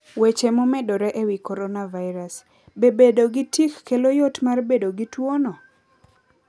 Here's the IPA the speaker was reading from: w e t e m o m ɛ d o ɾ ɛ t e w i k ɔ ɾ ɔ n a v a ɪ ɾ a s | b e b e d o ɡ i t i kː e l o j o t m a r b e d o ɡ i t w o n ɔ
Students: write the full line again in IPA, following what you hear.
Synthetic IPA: w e t͡ʃ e m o m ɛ d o ɾ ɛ ʔ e w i k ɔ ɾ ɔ n a v a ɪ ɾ a s | b e b e d o ɡ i t i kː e l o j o t m a r b e d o ɡ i t w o n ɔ